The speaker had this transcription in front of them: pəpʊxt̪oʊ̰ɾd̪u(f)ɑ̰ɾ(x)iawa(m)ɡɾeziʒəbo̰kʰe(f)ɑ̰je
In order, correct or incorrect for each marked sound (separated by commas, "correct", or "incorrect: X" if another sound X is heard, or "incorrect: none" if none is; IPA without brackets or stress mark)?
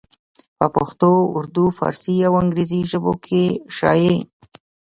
correct, incorrect: s, incorrect: ŋ, incorrect: ʃ